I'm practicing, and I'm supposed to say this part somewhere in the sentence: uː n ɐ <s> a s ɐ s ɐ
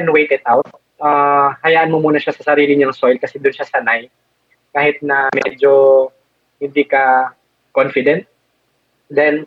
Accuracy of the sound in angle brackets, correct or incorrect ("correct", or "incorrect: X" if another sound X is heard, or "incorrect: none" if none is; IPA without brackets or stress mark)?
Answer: incorrect: ʃ